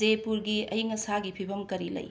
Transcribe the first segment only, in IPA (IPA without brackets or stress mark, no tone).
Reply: e